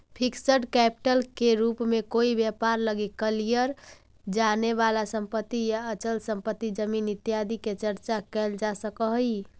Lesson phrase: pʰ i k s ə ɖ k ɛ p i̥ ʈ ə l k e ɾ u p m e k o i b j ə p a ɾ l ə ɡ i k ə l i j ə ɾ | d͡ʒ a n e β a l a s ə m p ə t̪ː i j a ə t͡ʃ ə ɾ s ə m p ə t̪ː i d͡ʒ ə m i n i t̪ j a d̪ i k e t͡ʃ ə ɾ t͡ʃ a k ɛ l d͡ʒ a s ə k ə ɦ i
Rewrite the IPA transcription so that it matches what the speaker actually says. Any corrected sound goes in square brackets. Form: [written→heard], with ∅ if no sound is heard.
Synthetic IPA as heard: pʰ i k s ə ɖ k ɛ p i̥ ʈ ə l k e ɾ u p m e k o i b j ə p a ɾ l ə ɡ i k ə l i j ə ɾ | d͡ʒ a n e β a l a s ə m p ə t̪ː i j a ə t͡ʃ ə [ɾ→l] s ə m p ə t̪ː i d͡ʒ ə m i n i t̪ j a d̪ i k e t͡ʃ ə ɾ t͡ʃ a k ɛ l d͡ʒ a s ə k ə ɦ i